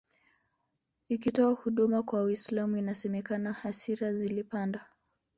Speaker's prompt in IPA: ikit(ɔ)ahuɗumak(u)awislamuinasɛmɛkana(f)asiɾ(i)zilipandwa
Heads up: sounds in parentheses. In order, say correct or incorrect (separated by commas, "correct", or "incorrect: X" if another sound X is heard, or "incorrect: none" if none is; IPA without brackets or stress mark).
correct, incorrect: w, incorrect: h, incorrect: a